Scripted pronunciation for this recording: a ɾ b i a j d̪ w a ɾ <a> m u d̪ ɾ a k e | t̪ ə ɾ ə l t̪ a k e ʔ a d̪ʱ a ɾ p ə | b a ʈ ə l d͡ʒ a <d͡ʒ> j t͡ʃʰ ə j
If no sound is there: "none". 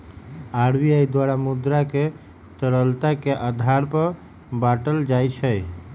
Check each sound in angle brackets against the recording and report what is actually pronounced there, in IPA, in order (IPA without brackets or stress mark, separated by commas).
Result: a, none